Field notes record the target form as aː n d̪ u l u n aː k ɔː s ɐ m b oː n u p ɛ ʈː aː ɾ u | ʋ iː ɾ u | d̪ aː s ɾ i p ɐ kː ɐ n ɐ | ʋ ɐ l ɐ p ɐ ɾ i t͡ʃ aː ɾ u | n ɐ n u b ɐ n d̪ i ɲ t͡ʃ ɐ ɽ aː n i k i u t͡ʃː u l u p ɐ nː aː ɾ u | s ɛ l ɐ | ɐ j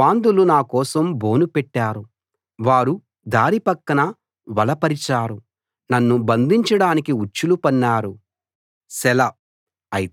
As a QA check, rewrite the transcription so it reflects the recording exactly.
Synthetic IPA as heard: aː n d̪ u l u n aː k ɔː s ɐ m b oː n u p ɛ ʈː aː ɾ u | ʋ aː ɾ u | d̪ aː ɾ i p ɐ kː ɐ n ɐ | ʋ ɐ l ɐ p ɐ ɾ i t͡ʃ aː ɾ u | n ɐ nː u b ɐ n d̪ i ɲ t͡ʃ ɐ ɽ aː n i k i u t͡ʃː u l u p ɐ nː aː ɾ u | s ɛ l ɐ | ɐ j